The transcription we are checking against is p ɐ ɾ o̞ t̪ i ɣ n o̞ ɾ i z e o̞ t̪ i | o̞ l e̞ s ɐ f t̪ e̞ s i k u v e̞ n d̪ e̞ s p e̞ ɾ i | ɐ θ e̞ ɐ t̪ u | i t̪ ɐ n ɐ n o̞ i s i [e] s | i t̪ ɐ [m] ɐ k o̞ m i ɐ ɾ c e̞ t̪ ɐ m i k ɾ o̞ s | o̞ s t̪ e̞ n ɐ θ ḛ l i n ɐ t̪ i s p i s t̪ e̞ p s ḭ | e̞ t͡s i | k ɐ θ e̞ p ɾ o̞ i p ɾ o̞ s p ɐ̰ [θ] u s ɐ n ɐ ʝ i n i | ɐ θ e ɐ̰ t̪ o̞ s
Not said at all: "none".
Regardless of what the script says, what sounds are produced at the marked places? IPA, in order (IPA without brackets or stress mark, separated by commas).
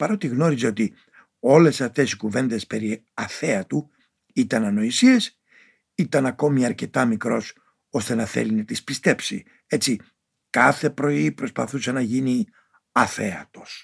e, n, θ